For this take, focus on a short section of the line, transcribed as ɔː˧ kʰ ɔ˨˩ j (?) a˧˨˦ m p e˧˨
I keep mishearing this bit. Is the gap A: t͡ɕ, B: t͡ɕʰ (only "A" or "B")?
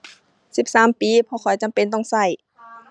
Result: A